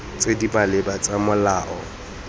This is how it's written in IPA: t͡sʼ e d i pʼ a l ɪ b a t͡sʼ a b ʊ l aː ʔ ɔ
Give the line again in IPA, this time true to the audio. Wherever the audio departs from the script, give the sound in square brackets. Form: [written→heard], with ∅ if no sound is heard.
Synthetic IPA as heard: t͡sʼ e d i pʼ a l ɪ b a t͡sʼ a [b→m] ʊ l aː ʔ ɔ